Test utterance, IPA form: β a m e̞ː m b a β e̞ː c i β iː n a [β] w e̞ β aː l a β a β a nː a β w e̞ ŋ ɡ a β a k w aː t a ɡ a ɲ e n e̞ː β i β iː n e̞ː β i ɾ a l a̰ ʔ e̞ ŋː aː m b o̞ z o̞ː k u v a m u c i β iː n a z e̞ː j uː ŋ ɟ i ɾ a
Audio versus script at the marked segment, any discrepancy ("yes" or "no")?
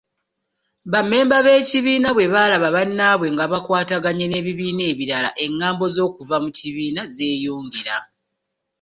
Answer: no